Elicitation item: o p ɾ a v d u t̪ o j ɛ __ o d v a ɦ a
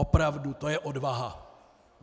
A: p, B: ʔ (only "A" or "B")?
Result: B